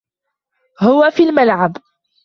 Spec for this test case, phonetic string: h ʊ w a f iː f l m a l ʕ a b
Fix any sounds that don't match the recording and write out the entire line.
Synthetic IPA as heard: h ʊ w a f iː l m a l ʕ a b